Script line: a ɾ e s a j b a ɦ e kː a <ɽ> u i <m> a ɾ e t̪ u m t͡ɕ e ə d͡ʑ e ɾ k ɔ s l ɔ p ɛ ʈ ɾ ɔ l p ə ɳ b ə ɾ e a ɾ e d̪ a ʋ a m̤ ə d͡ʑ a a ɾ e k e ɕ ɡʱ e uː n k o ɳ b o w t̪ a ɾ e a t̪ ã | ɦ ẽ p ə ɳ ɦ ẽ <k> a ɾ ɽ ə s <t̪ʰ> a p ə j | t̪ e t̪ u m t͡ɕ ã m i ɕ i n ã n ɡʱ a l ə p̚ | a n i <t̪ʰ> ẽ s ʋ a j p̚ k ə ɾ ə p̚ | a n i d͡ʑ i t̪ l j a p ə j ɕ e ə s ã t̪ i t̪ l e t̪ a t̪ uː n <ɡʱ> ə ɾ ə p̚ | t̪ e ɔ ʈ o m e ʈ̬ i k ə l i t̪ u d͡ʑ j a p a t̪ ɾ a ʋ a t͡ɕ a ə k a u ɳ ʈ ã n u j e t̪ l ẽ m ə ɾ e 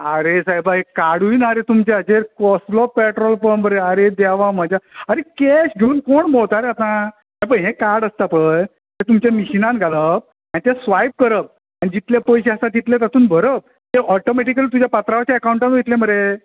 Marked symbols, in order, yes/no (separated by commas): yes, no, yes, no, no, no